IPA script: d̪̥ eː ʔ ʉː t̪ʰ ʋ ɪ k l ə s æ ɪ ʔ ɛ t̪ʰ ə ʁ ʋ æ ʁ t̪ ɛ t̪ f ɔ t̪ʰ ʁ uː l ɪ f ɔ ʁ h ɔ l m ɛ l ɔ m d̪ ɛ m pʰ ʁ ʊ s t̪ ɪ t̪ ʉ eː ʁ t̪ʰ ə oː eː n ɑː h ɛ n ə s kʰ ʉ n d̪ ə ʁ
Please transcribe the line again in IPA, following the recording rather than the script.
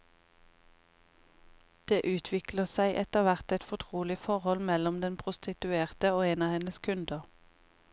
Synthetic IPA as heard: d̪̥ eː ʔ ʉː t̪ʰ ʋ ɪ k l ə s æ ɪ ʔ ɛ t̪ ə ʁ ʋ æ ʁ t̪ ɛ t̪ f ɔ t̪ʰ ʁ uː l ɪ f ɔ ʁ h ɔ l m ɛ l ɔ m d̪ ɛ n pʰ ʁ ʊ s t̪ ɪ t̪ ʉ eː ʁ t̪ ə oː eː n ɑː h ɛ n ə s kʰ ʉ n d̪ ə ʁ